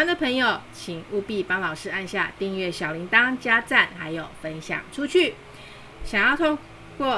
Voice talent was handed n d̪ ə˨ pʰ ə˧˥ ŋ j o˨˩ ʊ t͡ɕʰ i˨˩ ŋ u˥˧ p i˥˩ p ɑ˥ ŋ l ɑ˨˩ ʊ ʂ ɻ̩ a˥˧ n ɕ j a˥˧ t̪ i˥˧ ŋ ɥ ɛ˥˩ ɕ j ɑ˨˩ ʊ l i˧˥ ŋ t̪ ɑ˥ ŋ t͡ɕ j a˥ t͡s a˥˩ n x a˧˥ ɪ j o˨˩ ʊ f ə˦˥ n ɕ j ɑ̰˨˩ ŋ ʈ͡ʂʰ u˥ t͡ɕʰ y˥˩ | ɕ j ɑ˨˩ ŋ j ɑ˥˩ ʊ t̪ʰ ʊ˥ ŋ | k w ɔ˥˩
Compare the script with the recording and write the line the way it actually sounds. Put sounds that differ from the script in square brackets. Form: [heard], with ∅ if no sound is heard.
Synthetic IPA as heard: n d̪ ə˨ pʰ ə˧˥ ŋ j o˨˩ ʊ t͡ɕʰ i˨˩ ŋ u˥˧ p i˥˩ p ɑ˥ ŋ l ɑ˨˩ ʊ ʂ ɻ̩ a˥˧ n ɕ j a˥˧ t̪ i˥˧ ŋ ɥ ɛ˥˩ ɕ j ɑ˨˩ ʊ l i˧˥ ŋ t̪ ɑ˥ ŋ t͡ɕ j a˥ t͡s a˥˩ n x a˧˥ ɪ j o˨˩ ʊ f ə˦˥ n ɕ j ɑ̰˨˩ ŋ ʈ͡ʂʰ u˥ t͡ɕʰ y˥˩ | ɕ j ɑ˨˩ ŋ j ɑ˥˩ ʊ t̪ʰ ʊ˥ ŋ | k w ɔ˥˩